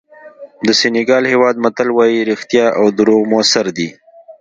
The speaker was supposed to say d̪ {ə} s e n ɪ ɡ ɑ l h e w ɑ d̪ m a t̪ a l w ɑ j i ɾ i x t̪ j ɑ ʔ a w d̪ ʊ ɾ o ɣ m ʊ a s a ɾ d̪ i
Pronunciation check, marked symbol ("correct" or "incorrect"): correct